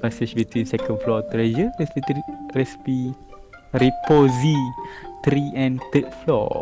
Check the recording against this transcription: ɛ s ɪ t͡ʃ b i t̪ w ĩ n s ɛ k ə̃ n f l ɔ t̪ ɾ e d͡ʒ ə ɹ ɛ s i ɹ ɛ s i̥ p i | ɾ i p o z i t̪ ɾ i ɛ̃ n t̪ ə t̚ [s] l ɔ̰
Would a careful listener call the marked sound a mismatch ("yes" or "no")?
yes